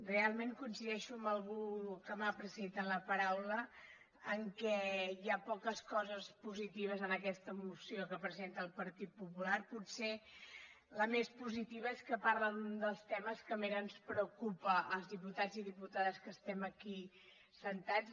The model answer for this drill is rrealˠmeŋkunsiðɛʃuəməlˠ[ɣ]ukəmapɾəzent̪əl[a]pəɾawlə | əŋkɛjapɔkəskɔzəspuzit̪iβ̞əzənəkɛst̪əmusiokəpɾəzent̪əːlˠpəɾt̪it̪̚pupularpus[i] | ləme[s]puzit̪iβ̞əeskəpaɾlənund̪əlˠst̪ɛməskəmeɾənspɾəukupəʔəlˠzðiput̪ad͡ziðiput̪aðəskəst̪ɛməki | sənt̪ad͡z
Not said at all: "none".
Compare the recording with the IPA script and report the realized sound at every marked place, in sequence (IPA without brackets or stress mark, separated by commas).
ɣ, ə, e, s